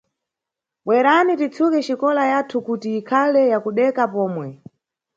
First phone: ɓ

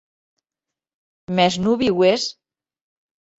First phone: m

